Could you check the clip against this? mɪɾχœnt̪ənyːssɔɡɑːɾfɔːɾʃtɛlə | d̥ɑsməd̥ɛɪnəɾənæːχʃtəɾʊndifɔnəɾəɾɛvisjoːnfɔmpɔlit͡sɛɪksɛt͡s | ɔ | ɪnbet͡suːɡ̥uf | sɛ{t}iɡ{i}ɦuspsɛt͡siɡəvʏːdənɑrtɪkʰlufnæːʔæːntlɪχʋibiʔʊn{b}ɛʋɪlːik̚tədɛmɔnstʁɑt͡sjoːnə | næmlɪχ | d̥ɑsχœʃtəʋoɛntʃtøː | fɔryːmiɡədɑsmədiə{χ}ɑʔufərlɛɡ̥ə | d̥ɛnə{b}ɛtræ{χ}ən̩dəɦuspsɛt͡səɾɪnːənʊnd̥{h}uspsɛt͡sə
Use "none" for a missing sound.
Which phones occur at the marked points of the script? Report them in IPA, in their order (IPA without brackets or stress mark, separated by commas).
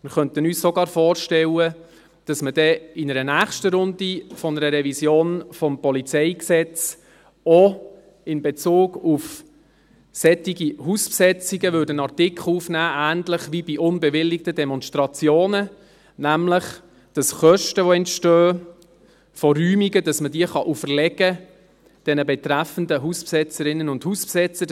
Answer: t, i, b, χ, b, f, h